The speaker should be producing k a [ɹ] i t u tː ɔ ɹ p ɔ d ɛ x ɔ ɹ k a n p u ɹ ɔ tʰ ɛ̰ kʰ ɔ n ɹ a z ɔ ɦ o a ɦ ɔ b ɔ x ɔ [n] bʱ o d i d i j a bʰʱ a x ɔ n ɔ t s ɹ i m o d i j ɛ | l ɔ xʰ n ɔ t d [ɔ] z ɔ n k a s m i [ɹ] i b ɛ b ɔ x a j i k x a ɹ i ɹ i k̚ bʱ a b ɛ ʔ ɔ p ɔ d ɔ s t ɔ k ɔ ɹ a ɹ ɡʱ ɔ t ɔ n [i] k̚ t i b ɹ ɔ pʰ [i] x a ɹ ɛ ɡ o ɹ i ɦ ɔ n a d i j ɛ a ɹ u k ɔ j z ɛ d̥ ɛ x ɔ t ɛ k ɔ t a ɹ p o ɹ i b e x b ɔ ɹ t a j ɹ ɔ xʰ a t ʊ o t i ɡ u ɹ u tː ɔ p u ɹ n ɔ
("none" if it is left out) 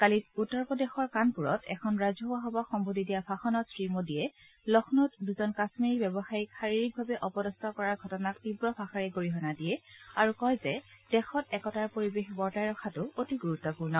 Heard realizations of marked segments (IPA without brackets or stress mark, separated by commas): l, m, u, ɹ, a, a